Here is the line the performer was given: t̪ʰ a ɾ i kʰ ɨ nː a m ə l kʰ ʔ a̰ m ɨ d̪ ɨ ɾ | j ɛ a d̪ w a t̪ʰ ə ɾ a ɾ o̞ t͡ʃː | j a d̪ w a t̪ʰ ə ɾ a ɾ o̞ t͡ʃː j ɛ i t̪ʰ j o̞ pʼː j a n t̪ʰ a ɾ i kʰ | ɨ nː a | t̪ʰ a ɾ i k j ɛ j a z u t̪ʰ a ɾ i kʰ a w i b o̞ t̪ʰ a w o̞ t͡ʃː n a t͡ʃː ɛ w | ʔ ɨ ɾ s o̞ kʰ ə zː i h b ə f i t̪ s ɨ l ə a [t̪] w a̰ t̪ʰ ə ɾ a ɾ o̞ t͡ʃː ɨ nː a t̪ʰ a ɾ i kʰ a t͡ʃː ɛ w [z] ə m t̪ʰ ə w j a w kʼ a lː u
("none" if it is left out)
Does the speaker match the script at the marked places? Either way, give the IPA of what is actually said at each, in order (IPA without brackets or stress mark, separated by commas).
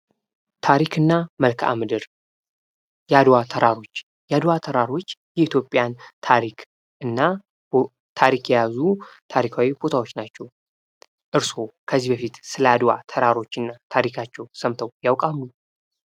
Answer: d̪, s